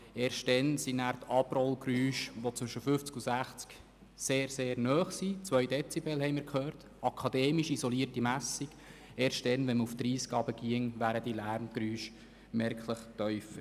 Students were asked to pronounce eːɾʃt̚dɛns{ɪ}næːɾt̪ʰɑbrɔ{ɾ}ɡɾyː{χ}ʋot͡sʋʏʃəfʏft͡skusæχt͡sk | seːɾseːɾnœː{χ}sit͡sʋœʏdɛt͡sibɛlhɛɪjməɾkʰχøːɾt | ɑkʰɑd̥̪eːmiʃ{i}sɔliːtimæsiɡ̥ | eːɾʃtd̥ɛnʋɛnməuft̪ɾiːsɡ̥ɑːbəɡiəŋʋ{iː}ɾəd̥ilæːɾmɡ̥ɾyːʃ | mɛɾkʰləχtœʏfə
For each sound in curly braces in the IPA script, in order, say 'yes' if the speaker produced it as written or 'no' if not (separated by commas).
no, no, no, yes, yes, no